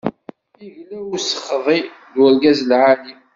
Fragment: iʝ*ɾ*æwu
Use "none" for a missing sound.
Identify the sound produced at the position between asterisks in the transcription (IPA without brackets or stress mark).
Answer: l